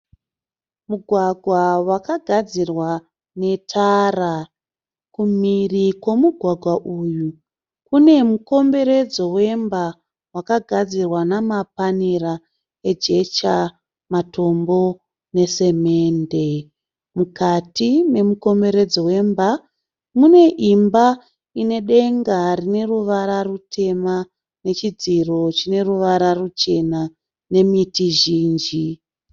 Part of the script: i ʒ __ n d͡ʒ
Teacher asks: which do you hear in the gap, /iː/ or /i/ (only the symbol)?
iː